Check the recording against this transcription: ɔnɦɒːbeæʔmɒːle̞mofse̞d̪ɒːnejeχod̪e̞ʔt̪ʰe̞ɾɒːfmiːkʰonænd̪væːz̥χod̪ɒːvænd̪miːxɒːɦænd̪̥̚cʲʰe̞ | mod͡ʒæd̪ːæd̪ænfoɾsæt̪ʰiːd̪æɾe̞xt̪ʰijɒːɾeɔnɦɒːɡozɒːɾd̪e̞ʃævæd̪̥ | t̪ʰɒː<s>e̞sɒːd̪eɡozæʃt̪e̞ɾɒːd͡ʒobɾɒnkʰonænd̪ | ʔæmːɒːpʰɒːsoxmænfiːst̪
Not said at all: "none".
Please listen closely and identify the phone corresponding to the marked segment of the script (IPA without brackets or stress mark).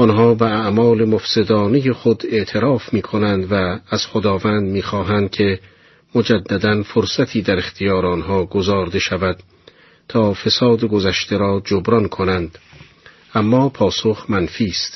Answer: f